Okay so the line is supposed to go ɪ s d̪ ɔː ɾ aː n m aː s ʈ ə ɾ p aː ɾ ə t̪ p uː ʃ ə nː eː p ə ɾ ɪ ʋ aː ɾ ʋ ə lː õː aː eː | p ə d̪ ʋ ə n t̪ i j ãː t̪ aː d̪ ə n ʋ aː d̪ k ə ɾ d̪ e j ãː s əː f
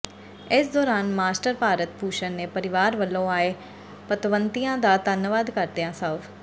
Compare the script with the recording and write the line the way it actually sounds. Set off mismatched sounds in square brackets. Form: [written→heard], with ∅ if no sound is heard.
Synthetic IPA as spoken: ɪ s d̪ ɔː ɾ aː n m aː s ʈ ə ɾ p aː ɾ ə t̪ p uː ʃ ə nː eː p ə ɾ ɪ ʋ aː ɾ ʋ ə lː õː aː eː | p ə [d̪→t̪] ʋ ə n t̪ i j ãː [t̪→d̪] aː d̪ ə n ʋ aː d̪ k ə ɾ d̪ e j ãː s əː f